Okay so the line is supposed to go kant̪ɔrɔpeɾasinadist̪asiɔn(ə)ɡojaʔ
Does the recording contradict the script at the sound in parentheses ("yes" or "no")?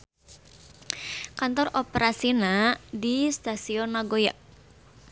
yes